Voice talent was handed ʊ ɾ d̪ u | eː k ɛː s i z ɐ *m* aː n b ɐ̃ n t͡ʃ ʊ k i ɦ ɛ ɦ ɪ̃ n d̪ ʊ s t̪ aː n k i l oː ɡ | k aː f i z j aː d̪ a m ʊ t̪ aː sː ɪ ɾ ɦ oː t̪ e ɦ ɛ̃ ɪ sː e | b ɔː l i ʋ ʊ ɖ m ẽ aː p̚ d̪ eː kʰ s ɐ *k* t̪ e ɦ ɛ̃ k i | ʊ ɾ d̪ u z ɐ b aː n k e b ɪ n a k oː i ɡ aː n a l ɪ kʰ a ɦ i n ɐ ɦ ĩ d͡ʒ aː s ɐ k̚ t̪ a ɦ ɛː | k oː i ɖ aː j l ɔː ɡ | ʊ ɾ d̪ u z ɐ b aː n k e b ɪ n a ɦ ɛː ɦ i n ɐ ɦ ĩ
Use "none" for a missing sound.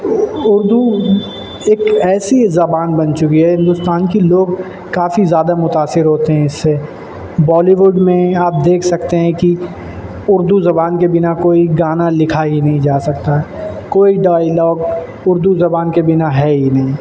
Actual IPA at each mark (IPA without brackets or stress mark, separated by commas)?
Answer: b, k